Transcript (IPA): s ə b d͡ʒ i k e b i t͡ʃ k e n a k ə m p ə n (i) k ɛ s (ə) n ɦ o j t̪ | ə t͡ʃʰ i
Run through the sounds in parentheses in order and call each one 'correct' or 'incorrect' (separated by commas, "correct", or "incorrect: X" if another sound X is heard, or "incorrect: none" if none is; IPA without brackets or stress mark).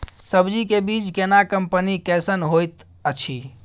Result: correct, correct